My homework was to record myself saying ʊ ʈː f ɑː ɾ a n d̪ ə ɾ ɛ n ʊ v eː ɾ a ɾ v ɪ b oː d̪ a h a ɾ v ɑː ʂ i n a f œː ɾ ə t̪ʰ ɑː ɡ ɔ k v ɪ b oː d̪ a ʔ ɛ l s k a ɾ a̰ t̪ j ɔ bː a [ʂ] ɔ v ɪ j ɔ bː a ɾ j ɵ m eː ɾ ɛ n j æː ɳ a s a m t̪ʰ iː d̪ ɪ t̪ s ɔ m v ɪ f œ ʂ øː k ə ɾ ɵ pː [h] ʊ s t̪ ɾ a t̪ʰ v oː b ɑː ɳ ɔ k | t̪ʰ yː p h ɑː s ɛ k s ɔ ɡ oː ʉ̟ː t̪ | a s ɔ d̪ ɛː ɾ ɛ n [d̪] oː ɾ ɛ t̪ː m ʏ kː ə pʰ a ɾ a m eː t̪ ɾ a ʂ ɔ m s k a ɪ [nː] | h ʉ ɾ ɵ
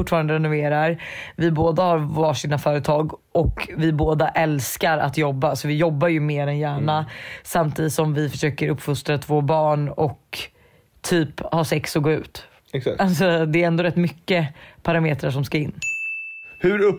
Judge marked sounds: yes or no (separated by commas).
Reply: no, no, yes, yes